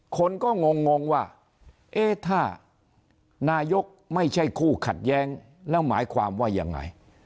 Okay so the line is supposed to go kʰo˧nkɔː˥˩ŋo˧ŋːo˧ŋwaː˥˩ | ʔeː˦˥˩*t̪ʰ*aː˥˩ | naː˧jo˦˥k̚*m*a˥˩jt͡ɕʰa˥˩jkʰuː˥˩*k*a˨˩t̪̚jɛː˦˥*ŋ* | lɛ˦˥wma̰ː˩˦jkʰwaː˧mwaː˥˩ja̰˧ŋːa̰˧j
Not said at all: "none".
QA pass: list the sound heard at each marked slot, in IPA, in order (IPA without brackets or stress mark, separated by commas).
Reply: t̪ʰ, m, kʰ, ŋ